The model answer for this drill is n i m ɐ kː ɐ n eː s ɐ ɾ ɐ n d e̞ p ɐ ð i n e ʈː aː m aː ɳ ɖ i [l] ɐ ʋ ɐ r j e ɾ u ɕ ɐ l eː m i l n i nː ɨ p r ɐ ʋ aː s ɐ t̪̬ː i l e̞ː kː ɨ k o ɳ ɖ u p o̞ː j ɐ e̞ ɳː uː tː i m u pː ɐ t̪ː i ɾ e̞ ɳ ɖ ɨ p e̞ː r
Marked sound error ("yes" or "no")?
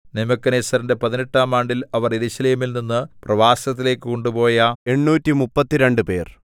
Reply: no